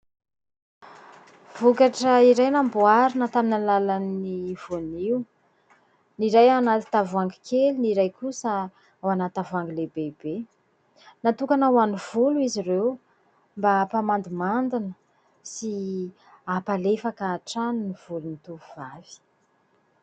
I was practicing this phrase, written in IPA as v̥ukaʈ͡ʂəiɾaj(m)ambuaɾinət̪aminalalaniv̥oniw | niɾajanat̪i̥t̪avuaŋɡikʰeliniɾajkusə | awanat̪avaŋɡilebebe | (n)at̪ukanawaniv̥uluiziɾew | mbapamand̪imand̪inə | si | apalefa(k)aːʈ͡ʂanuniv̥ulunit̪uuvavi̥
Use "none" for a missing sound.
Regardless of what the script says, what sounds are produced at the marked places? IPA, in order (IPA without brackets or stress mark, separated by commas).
n, n, k